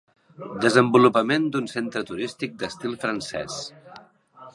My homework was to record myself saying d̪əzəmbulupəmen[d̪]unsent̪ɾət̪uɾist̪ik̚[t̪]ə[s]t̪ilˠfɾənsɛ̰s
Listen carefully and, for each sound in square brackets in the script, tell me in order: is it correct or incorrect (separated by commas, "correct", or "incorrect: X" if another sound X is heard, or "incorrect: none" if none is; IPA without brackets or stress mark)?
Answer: correct, incorrect: d̪, correct